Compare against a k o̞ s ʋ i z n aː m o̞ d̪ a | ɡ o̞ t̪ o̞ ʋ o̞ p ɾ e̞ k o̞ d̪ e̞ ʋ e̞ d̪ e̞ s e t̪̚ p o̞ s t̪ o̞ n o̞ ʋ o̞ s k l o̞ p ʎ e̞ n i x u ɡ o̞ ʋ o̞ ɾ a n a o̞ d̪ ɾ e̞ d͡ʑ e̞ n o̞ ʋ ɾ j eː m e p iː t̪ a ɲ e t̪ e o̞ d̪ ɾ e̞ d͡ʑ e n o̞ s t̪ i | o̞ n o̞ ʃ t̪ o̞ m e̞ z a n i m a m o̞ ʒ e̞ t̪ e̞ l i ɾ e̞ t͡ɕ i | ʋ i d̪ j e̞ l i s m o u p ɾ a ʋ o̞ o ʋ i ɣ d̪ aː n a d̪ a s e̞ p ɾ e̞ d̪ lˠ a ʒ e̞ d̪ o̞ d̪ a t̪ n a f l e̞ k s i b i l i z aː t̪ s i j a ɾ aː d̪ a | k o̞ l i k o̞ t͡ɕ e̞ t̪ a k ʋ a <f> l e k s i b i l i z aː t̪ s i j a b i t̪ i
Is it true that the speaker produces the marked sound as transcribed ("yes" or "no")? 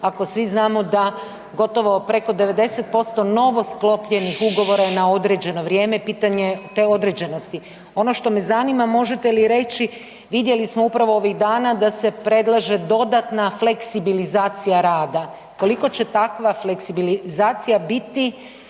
yes